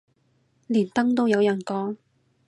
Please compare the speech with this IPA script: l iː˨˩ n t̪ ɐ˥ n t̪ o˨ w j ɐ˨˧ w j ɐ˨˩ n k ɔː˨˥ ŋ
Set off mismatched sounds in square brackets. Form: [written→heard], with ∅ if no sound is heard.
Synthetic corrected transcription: l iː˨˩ n t̪ ɐ˥ [n→ŋ] t̪ [o˨→o˥] w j ɐ˨˧ w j ɐ˨˩ n k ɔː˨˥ ŋ